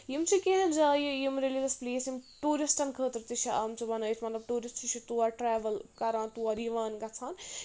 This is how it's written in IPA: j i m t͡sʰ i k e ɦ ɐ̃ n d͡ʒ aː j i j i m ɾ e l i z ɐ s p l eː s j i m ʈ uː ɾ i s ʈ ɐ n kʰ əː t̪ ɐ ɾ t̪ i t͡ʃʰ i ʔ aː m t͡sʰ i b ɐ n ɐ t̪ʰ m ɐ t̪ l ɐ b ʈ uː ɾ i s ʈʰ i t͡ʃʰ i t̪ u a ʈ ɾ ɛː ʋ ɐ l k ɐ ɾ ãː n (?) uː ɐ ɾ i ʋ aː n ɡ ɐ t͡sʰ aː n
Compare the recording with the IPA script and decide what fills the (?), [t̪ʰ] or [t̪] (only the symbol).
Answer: t̪